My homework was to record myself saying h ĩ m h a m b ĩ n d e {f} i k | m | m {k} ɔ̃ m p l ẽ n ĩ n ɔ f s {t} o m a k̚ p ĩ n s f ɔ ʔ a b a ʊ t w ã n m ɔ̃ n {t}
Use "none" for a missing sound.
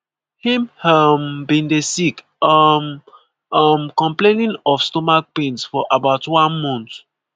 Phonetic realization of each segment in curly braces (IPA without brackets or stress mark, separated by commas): s, k, t, t